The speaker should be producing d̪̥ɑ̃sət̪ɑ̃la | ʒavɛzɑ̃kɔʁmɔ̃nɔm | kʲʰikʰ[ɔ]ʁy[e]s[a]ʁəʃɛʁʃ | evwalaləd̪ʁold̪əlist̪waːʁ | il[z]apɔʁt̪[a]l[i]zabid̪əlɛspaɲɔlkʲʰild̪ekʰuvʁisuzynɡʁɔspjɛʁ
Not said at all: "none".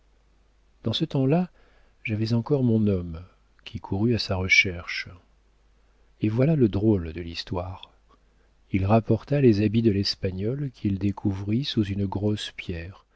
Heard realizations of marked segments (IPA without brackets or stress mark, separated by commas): u, a, a, ʁ, a, e